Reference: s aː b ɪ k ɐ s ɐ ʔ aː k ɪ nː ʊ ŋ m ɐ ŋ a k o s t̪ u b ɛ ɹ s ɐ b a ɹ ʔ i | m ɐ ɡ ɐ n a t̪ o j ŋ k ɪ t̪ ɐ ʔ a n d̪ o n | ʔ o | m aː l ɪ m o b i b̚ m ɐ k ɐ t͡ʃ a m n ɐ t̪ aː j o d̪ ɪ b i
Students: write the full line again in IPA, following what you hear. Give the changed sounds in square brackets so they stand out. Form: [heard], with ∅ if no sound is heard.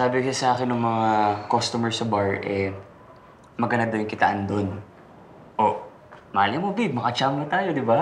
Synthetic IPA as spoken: s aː b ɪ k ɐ s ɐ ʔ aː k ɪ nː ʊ ŋ m ɐ ŋ a k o s t̪ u [m] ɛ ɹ s ɐ b a ɹ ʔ [ɛ] | m ɐ ɡ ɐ n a [d̪] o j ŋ k ɪ t̪ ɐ ʔ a n d̪ o n | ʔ o | m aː l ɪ m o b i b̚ m ɐ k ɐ t͡ʃ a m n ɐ t̪ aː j o d̪ ɪ b [a]